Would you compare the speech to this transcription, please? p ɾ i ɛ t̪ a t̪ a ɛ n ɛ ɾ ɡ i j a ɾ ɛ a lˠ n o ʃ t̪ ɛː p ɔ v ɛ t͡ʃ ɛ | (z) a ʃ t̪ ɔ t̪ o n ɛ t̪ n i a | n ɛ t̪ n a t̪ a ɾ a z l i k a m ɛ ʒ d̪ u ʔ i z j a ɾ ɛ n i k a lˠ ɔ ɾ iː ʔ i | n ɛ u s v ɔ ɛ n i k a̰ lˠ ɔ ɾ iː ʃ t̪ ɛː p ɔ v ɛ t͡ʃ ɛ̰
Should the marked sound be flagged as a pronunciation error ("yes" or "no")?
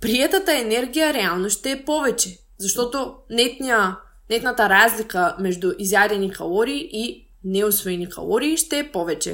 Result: no